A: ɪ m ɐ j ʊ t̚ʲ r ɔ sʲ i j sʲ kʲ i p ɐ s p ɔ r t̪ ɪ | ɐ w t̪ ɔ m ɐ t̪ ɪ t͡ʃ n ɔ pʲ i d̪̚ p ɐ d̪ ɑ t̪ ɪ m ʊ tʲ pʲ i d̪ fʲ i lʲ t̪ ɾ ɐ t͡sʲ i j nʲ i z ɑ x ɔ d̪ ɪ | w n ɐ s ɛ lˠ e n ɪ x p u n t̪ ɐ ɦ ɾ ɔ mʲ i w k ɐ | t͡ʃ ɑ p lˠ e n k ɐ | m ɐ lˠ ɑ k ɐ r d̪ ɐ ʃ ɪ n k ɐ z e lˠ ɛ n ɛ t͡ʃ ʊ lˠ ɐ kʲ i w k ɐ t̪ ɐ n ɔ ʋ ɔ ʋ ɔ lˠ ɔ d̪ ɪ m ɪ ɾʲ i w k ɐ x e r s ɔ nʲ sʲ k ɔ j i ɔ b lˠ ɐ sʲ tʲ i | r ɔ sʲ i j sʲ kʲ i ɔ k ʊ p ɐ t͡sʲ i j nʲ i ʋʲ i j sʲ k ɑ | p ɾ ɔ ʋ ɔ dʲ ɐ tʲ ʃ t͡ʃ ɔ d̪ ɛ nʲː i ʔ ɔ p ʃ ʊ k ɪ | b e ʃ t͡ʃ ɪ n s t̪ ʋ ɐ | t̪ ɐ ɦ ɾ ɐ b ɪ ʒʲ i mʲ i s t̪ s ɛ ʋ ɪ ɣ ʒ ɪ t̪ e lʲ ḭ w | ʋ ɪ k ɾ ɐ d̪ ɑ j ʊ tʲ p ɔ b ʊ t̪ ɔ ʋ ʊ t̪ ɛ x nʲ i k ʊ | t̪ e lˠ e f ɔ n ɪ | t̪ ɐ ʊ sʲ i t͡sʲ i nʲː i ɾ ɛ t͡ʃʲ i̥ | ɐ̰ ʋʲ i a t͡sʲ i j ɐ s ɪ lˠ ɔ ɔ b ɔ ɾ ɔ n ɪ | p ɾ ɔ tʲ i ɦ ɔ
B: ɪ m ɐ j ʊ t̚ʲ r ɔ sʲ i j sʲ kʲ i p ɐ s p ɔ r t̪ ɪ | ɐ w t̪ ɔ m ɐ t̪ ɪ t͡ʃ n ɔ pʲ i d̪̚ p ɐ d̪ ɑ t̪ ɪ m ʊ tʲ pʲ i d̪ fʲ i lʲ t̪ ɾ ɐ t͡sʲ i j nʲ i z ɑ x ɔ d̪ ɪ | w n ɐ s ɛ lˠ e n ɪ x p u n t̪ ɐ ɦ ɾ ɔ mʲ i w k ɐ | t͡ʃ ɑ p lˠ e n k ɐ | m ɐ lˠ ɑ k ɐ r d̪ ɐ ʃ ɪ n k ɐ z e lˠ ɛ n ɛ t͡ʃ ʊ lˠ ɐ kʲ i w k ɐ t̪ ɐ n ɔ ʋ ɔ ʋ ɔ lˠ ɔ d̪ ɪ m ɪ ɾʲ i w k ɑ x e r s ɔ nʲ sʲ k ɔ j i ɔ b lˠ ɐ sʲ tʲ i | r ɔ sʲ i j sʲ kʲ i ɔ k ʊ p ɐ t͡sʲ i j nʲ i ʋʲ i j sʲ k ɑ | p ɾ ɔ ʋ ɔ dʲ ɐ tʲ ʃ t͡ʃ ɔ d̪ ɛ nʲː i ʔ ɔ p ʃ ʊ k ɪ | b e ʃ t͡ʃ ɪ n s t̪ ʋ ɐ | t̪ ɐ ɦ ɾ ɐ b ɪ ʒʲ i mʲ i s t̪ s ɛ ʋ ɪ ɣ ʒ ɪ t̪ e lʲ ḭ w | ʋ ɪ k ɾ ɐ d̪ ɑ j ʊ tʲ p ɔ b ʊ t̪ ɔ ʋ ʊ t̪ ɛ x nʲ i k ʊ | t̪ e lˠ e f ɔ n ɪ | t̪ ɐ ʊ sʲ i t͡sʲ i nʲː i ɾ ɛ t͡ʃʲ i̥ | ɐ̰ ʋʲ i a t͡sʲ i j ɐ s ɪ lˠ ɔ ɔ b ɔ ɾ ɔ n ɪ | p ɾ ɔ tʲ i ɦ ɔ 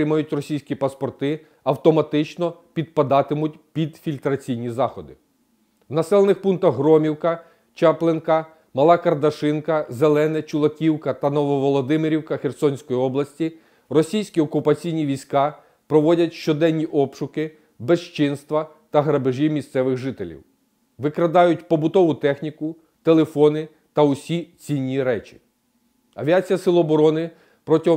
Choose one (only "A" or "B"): A